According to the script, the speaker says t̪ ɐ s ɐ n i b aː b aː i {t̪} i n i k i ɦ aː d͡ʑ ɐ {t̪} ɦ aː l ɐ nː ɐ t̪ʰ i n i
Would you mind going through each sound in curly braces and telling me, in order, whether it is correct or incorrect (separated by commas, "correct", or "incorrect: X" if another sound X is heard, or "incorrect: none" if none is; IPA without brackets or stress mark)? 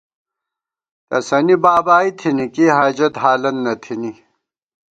incorrect: t̪ʰ, correct